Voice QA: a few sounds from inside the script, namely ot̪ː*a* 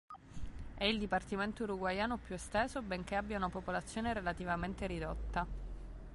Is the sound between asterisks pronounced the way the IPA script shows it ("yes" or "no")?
yes